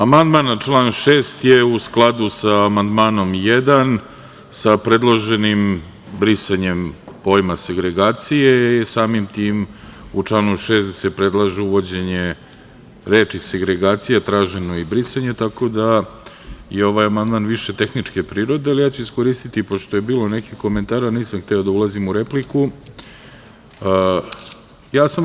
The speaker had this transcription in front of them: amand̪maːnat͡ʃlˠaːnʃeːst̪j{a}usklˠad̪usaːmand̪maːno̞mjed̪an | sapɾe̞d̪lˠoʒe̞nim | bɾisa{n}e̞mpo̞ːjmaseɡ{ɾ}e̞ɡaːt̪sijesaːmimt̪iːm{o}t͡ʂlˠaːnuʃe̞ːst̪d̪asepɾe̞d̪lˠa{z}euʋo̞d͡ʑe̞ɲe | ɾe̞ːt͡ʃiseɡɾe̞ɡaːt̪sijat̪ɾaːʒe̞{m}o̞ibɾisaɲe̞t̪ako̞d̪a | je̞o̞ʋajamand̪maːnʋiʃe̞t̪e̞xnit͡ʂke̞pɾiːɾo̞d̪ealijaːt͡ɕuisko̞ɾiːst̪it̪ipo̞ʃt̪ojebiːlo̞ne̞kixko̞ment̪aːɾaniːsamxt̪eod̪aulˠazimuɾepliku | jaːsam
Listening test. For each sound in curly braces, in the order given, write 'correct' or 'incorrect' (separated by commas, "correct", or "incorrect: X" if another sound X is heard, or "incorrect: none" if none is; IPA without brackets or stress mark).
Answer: incorrect: e, incorrect: ɲ, correct, incorrect: u, incorrect: ʒ, incorrect: n